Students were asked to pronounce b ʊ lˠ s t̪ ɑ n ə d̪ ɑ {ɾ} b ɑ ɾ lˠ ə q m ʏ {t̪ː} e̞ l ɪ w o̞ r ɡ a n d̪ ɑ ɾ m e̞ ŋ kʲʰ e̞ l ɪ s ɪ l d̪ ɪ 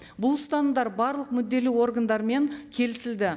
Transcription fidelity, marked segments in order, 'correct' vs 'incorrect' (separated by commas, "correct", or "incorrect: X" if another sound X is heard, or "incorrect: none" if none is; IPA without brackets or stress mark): correct, incorrect: d̪ː